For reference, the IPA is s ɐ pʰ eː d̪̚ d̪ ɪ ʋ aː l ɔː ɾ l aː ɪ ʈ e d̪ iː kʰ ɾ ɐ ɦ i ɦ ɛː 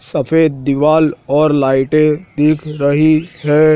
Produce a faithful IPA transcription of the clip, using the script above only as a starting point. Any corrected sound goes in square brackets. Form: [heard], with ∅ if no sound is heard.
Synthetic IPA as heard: s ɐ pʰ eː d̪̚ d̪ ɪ ʋ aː l ɔː ɾ l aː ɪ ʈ e d̪ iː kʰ ɾ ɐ ɦ i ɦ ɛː